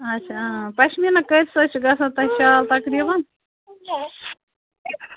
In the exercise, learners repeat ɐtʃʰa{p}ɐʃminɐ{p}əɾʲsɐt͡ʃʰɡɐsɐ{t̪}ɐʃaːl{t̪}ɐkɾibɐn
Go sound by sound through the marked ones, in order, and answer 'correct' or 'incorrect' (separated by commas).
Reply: correct, incorrect, correct, correct